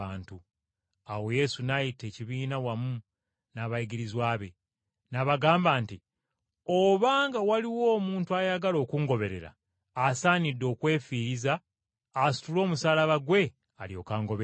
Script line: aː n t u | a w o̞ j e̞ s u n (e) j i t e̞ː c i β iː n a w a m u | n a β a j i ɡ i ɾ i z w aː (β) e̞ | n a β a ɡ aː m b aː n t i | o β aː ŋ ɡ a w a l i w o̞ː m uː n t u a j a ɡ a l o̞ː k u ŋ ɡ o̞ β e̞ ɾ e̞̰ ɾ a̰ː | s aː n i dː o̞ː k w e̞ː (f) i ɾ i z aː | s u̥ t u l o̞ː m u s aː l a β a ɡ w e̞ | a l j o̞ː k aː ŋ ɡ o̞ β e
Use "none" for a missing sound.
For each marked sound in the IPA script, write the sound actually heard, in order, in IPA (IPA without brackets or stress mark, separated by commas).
a, β, f